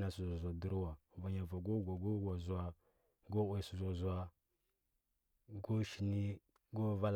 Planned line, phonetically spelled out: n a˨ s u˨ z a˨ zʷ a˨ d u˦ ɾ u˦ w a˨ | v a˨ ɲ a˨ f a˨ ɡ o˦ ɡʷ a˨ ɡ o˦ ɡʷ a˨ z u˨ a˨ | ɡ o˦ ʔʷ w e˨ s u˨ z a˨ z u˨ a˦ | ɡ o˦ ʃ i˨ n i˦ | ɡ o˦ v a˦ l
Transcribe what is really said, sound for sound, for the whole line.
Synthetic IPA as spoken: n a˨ s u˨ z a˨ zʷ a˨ d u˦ ɾ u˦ w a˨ | v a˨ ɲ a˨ v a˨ ɡ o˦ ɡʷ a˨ ɡ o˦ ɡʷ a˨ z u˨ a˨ | ɡ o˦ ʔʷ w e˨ s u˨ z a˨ z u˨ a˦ | ɡ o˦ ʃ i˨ n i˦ | ɡ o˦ v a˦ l